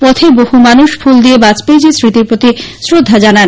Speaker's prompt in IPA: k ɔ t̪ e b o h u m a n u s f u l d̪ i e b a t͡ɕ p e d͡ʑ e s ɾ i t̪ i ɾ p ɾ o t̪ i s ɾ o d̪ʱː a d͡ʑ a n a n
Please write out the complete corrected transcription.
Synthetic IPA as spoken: p ɔ t̪ʰ e b o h u m a n u ʃ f u l d̪ i e b a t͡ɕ p e d͡ʑ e s ɾ i t̪ i ɾ p ɾ o t̪ i s ɾ o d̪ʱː a d͡ʑ a n a n